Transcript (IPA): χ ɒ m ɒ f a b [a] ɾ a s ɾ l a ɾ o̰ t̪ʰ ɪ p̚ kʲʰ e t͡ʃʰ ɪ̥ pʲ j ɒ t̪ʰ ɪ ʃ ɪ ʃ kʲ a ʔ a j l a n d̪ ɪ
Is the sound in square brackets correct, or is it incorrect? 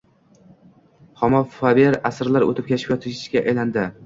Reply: incorrect